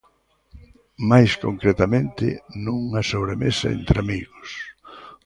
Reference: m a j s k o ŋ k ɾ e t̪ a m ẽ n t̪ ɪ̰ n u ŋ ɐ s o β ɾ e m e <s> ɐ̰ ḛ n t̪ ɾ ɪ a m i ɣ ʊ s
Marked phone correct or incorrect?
correct